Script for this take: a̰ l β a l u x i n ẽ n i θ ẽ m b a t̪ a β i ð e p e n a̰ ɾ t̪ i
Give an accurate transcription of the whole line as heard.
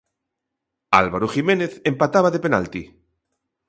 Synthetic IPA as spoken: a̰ l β a ɾ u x i m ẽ n e θ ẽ m p a t̪ a β a ð e p e n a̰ l t̪ i